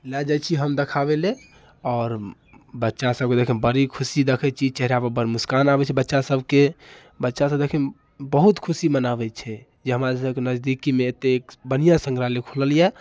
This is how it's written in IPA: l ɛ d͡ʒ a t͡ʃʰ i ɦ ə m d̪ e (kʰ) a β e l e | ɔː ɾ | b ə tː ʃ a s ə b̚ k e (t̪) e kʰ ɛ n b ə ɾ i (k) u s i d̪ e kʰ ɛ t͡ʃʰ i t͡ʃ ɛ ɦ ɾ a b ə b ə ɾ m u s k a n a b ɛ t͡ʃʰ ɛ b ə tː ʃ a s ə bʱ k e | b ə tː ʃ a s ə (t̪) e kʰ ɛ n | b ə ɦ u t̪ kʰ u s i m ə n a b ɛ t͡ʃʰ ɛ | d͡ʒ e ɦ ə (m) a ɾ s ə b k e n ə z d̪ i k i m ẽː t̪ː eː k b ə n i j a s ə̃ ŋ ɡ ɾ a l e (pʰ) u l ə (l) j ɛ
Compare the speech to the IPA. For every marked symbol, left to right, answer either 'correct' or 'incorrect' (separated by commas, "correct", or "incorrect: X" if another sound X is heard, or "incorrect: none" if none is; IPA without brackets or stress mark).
correct, incorrect: d̪, incorrect: kʰ, incorrect: d̪, correct, incorrect: kʰ, correct